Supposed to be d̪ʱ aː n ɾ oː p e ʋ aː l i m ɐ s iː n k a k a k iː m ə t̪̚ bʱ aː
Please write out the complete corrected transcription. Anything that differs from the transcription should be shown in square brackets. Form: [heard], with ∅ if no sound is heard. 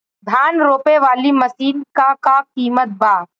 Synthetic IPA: d̪ʱ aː n ɾ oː p e ʋ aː l i m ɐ s iː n k a k a k iː m ə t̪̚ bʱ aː